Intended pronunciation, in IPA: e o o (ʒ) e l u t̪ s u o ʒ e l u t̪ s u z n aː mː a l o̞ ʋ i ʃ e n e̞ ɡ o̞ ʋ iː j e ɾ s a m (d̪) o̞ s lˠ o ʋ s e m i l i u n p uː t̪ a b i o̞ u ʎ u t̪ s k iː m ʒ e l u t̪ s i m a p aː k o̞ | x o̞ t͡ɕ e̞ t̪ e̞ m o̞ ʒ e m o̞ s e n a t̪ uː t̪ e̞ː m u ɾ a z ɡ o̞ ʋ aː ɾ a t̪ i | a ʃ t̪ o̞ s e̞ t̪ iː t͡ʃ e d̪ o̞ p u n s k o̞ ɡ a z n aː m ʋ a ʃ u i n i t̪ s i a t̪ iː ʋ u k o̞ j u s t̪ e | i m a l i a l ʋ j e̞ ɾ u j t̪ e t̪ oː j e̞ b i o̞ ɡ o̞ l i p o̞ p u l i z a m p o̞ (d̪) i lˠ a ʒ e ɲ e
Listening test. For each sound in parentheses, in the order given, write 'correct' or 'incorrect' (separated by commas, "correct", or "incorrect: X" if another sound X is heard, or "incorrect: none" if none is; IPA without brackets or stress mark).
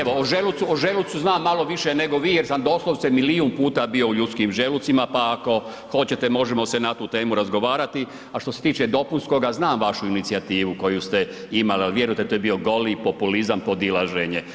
correct, correct, correct